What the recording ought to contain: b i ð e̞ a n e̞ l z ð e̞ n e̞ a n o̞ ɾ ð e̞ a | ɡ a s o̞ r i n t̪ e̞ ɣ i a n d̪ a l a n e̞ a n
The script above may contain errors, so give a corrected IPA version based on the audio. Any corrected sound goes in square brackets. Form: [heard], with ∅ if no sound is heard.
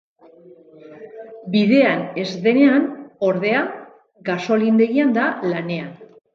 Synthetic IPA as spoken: b i ð e̞ a n e̞ [∅] z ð e̞ n e̞ a n o̞ ɾ ð e̞ a | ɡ a s o̞ [l] i n [d̪] e̞ ɣ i a n d̪ a l a n e̞ a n